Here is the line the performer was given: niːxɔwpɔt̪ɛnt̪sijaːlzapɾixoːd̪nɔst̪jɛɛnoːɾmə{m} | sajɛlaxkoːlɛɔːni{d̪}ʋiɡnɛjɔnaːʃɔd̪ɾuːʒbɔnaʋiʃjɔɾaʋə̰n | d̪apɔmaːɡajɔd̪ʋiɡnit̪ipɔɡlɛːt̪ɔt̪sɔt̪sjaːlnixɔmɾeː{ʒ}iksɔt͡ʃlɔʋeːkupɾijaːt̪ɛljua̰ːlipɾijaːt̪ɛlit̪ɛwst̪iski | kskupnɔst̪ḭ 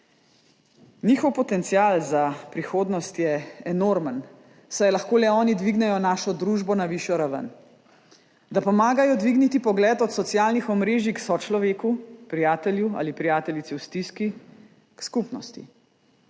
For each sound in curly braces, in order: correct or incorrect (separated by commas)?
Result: incorrect, correct, correct